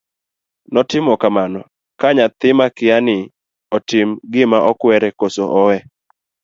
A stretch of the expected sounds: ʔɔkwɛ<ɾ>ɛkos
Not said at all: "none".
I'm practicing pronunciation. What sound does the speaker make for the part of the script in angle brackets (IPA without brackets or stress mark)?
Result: ɾ